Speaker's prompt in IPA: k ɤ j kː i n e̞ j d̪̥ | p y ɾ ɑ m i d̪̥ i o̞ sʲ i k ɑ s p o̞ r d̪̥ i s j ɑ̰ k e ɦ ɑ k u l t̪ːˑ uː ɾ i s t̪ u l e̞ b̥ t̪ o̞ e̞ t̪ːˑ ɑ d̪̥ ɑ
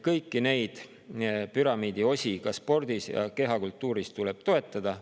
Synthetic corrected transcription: k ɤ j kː i n e̞ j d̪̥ | p y ɾ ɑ m iː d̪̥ i o̞ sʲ i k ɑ s p o̞ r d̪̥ i s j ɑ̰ k e ɦ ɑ k u l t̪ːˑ uː ɾ i s t̪ u l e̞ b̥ t̪ o̞ e̞ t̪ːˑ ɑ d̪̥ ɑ

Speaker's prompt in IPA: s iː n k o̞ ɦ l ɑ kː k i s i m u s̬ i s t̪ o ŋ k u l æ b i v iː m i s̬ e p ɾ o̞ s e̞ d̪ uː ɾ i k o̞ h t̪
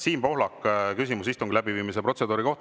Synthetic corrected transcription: s iː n p o̞ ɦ l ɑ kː k y s i m u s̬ i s t̪ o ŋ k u l æ b i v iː m i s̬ e p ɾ o̞ s e̞ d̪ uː ɾ i k o̞ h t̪

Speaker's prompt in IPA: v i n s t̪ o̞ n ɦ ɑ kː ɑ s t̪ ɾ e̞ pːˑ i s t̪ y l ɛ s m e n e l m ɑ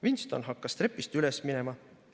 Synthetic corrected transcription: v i n s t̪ o̞ n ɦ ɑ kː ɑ s t̪ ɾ e̞ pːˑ i s t̪ y l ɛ s m i n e m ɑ

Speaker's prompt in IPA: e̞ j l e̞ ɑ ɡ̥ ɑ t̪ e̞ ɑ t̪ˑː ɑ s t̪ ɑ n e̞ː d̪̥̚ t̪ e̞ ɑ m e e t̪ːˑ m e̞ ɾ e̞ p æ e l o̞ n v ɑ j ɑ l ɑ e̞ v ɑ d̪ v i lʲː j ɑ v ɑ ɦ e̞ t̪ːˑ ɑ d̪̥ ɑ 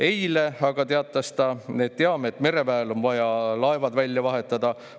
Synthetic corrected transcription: e̞ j l e̞ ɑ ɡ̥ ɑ t̪ e̞ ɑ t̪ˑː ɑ s t̪ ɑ n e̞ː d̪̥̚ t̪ e̞ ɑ m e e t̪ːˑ m e̞ ɾ e̞ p æ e l o̞ n v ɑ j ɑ l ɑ e̞ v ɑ d̪ v æ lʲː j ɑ v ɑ ɦ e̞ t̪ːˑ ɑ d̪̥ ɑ

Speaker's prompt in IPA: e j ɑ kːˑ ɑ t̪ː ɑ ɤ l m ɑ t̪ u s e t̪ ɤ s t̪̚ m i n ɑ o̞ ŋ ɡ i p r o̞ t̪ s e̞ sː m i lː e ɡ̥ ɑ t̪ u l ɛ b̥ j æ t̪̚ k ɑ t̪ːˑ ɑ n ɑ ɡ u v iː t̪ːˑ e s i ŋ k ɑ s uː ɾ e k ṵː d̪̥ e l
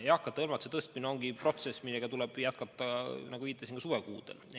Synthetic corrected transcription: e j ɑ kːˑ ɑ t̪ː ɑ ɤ l m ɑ t̪ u s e t̪ ɤ s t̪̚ m i n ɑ o̞ ŋ ɡ i p r o̞ t̪ s e̞ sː m i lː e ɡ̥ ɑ t̪ u l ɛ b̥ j æ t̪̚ k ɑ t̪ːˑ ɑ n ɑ ɡ u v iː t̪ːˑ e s i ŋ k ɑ s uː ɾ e k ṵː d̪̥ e l

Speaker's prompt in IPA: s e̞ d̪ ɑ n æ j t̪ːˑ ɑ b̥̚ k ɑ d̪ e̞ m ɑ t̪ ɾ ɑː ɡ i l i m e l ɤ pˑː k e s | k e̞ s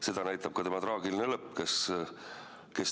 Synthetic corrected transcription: s e̞ d̪ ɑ n æ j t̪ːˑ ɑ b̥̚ k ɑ t̪ e̞ m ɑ t̪ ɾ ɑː ɡ i l i n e l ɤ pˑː k e s | k e̞ s

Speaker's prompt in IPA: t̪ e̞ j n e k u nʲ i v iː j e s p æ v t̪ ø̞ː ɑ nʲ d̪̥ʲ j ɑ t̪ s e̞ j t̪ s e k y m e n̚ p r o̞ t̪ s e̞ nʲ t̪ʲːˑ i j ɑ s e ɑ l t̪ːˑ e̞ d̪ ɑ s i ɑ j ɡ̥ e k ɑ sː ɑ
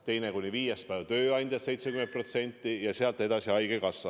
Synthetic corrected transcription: t̪ e̞ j n e k u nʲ i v iː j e s p æ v t̪ ø̞ː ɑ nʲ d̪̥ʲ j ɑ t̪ s e̞ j t̪ s e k y m e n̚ p r o̞ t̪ s e̞ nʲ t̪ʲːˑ i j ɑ s e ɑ l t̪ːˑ e̞ d̪ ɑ s i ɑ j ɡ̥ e k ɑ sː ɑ

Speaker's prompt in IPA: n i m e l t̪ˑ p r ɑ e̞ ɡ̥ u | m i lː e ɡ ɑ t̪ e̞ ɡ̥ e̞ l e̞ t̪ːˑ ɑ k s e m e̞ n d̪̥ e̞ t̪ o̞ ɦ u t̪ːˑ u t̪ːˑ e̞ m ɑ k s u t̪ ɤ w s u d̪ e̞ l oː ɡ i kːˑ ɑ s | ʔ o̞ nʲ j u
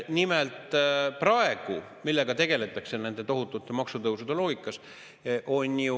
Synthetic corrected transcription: n i m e l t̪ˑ p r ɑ e̞ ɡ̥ u | m i lː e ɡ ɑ t̪ e̞ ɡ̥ e̞ l e̞ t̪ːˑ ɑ k s e n e̞ n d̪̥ e̞ t̪ o̞ ɦ u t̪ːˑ u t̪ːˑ e̞ m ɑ k s u t̪ ɤ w s u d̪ e̞ l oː ɡ i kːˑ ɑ s | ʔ o̞ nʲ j u

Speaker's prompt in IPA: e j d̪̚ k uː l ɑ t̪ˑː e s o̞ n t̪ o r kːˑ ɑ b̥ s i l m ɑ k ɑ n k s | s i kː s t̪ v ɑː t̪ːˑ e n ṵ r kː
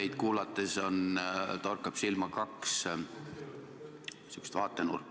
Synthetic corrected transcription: e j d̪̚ k uː l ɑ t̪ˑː e s o̞ n t̪ o r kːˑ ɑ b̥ s i l m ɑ k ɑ k s | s y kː s t̪ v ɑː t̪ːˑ e n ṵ r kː

